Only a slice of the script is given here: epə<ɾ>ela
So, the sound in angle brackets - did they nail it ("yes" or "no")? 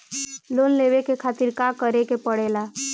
no